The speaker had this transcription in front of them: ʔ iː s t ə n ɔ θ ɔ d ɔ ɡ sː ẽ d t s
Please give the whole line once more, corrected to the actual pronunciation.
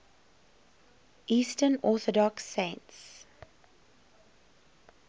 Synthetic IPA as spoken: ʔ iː s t ə n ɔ θ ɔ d ɔ k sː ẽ n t s